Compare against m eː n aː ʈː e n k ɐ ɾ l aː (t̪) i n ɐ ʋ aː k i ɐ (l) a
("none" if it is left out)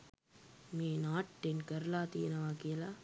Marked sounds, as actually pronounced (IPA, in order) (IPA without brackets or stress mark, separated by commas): t̪, l